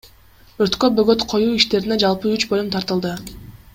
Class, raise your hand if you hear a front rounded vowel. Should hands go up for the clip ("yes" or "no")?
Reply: yes